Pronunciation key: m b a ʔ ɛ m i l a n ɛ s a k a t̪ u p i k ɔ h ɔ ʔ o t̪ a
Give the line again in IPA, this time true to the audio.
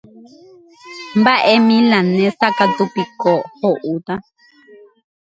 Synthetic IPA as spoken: m b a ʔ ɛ m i l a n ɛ s a k a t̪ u p i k ɔ h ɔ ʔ u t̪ a